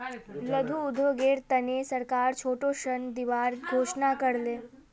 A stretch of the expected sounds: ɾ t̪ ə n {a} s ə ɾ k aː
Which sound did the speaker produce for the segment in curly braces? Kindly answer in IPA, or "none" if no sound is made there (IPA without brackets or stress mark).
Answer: e